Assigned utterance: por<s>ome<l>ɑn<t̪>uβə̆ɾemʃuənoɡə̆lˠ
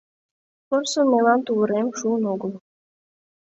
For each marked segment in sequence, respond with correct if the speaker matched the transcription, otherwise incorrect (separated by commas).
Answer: correct, correct, correct